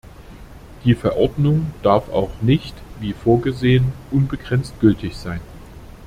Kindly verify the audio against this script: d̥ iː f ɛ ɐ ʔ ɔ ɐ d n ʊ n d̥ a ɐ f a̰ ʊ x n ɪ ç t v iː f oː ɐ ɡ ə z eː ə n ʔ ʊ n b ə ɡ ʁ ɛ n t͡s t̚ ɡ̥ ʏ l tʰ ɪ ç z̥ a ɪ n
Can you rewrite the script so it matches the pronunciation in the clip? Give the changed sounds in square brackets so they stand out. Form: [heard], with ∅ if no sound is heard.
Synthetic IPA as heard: d̥ iː f ɛ ɐ ʔ ɔ ɐ d n ʊ [ŋ] d̥ a ɐ f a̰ ʊ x n ɪ ç t v iː f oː ɐ ɡ ə z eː ə n ʔ ʊ n b ə ɡ ʁ ɛ n t͡s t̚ ɡ̥ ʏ l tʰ ɪ ç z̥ a ɪ n